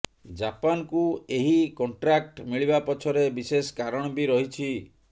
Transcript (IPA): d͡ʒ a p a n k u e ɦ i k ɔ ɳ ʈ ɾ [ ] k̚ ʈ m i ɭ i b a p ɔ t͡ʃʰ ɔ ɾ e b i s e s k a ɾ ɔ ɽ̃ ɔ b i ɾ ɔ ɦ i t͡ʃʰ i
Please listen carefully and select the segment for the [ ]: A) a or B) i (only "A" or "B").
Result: A